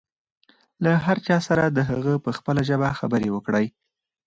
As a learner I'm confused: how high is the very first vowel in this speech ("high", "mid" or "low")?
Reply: low